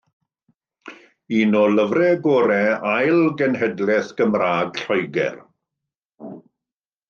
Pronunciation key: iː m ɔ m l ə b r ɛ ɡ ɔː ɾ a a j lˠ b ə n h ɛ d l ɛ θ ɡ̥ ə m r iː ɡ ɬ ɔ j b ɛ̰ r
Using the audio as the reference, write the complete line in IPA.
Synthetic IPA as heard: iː n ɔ l ə v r ɛ ɡ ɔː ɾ ɛ a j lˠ ɡ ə n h ɛ d l ɛ θ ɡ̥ ə m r aː ɡ ɬ ɔ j ɡ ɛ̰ r